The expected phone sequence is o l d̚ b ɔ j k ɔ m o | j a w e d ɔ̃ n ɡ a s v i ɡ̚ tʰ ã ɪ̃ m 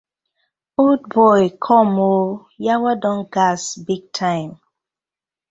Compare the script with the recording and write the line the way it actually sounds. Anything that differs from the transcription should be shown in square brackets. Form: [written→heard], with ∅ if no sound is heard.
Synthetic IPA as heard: o l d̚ b ɔ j [k→kʰ] ɔ m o | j a w [e→a] d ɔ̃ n ɡ a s [v→b] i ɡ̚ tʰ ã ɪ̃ m